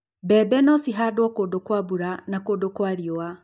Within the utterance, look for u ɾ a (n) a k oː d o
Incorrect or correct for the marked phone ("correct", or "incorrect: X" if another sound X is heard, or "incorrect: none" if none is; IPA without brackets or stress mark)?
correct